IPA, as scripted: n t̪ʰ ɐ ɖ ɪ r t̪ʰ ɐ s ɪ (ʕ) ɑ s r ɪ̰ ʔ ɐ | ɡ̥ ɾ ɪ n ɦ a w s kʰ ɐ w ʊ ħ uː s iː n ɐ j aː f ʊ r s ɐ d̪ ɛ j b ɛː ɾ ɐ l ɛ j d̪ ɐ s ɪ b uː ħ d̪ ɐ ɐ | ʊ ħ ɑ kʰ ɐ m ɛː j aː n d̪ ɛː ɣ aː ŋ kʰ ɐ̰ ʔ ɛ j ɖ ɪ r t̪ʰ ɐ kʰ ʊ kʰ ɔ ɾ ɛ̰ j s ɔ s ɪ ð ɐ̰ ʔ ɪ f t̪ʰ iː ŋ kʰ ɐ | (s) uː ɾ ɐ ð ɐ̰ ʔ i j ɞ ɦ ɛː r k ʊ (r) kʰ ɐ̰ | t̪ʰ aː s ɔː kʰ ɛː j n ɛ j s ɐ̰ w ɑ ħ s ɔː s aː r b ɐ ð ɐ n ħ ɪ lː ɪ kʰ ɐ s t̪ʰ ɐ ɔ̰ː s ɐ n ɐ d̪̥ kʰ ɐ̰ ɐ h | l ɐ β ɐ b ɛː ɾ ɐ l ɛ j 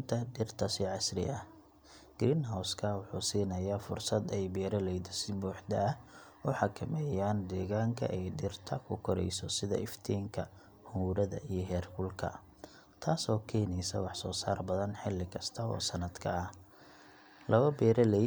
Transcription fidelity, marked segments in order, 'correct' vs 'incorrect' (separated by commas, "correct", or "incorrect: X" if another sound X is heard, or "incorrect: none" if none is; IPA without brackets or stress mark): correct, incorrect: h, incorrect: l